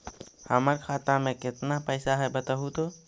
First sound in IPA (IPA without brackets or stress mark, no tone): h